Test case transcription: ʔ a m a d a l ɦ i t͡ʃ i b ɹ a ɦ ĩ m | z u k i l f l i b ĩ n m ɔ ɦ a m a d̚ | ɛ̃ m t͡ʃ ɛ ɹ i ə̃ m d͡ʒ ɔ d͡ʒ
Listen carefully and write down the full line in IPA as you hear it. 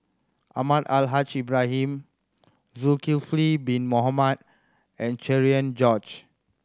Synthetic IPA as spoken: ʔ a m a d a l ɦ a t͡ʃ i b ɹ a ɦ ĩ m | z u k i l f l i b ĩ n m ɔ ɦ a m a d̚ | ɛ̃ n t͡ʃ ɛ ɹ i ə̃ n d͡ʒ ɔ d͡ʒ